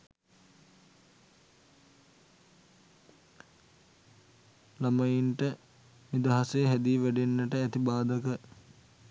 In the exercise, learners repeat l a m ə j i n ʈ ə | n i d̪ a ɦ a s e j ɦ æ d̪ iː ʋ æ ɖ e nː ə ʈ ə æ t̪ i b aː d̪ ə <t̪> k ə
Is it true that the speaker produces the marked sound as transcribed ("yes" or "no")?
no